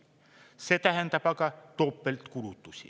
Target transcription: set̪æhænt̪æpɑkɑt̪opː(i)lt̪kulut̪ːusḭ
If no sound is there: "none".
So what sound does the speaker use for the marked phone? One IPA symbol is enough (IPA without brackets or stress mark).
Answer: e